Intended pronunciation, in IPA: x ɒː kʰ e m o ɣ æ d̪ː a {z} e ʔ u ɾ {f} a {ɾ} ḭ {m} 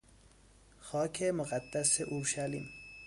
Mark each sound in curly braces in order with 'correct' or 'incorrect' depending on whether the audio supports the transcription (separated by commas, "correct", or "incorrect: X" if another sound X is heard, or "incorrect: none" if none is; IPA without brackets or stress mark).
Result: incorrect: s, incorrect: ʃ, incorrect: l, correct